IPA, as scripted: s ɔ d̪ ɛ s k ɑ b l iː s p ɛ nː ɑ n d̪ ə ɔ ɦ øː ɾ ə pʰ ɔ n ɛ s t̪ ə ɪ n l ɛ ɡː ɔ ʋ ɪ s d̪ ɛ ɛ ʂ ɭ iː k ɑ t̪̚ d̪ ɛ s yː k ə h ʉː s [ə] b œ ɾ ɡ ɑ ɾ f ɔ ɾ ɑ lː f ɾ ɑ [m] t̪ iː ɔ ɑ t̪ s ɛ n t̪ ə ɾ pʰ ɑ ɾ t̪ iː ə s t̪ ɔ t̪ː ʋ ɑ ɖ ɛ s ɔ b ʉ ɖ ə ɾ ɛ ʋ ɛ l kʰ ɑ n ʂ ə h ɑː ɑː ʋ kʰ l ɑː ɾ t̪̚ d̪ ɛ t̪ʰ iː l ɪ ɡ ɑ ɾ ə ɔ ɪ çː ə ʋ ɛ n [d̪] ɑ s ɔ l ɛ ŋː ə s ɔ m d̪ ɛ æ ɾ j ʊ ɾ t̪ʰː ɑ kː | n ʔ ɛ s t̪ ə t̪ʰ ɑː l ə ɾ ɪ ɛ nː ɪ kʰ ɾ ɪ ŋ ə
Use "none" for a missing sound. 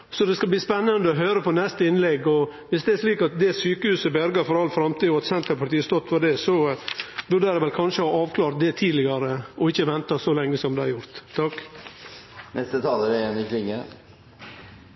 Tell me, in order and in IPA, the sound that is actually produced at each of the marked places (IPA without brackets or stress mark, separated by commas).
ə, m, t̪